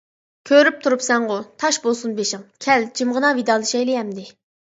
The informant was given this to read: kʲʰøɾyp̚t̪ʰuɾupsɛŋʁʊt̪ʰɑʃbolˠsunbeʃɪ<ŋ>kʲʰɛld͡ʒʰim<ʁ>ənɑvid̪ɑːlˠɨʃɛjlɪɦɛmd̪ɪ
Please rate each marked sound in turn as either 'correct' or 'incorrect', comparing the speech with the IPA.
correct, correct

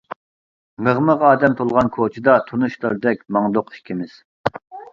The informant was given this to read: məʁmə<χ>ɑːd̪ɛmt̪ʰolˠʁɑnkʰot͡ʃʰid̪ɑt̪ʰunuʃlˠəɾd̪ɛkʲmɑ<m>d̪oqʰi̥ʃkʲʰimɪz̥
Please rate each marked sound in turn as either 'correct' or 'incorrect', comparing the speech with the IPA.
incorrect, incorrect

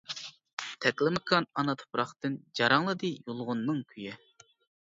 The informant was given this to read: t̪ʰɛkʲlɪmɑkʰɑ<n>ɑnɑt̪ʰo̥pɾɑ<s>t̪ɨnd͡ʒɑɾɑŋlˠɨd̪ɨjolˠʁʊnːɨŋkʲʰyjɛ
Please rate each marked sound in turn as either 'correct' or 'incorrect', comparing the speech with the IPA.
correct, incorrect

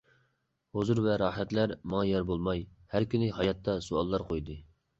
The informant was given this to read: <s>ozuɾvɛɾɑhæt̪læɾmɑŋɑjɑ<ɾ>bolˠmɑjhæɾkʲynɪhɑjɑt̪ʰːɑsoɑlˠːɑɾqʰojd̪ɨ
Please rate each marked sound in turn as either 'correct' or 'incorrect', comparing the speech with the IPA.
incorrect, correct

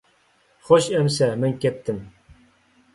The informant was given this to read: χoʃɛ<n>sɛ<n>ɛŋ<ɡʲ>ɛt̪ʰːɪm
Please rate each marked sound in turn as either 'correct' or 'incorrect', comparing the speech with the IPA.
incorrect, incorrect, incorrect

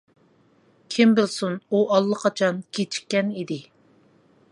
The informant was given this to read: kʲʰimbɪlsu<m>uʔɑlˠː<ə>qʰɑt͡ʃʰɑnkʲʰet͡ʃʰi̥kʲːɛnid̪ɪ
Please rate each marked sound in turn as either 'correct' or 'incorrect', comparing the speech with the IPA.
incorrect, correct

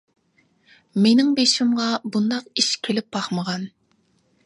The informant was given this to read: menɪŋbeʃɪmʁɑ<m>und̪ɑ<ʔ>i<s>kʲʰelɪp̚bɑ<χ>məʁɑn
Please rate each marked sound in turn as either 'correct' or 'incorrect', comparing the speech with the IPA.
incorrect, incorrect, incorrect, correct

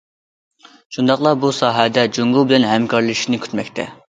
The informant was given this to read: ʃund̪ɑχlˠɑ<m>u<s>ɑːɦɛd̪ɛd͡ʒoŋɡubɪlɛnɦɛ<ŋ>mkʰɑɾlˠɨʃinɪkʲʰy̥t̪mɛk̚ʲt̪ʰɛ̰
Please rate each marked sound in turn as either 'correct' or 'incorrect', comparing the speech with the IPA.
incorrect, correct, incorrect

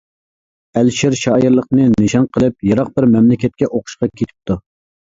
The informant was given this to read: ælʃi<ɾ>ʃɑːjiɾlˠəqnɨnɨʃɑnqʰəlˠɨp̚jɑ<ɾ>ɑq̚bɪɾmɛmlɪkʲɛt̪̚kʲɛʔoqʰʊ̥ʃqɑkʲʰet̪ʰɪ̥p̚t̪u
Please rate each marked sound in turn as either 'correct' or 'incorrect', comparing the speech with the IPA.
correct, correct

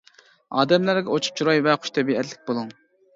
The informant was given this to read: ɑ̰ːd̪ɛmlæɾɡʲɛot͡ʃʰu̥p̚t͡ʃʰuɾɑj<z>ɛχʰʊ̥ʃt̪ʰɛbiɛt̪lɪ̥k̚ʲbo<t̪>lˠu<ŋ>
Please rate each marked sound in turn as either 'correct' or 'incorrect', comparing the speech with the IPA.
incorrect, incorrect, correct

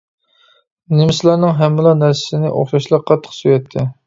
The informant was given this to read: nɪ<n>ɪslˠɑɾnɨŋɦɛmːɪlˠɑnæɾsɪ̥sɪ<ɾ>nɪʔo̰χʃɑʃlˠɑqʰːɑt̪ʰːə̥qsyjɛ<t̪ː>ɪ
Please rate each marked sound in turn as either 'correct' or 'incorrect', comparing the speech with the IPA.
incorrect, incorrect, incorrect

